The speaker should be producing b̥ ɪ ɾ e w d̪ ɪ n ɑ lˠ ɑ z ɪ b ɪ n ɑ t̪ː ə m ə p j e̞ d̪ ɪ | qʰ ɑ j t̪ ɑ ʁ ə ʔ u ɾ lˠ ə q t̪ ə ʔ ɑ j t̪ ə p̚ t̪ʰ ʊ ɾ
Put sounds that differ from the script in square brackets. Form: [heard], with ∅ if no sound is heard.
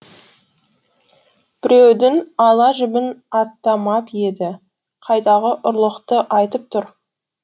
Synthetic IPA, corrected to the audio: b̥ ɪ ɾ e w d̪ ɪ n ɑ lˠ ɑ [ʒ] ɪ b ɪ n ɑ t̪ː [ɑ] m [ɑ] p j e̞ d̪ ɪ | qʰ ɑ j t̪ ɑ ʁ ə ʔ [ʊ] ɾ lˠ ə q t̪ ə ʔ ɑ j t̪ ə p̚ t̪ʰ ʊ ɾ